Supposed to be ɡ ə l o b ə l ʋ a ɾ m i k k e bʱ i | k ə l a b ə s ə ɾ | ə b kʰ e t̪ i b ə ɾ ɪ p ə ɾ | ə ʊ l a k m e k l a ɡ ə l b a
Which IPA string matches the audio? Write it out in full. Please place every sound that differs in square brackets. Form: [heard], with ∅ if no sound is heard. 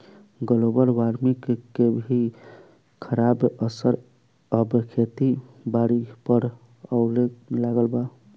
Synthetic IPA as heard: ɡ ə l o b ə [ɾ] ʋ a ɾ m i k k e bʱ i | [kʰ] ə [ɾ] a b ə s ə ɾ | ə b kʰ e t̪ i b [a] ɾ [i] p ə ɾ | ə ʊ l [e] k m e [∅] l a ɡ ə l b a